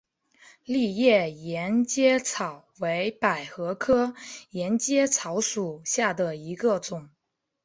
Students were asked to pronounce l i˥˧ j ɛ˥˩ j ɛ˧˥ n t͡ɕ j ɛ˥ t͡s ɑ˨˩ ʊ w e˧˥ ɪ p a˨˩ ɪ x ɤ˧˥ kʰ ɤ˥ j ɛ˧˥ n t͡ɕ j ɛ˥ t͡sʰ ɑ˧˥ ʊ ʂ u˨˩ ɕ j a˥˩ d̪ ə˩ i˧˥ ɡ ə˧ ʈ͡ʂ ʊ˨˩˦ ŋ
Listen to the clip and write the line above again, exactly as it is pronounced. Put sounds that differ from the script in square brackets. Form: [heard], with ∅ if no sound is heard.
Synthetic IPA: l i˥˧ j ɛ˥˩ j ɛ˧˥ n t͡ɕ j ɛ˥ [t͡sʰ] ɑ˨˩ ʊ w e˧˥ ɪ p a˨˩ ɪ x ɤ˧˥ kʰ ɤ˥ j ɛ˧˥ n t͡ɕ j ɛ˥ t͡sʰ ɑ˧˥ ʊ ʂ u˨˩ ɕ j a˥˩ d̪ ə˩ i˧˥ ɡ ə˧ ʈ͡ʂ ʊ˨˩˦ ŋ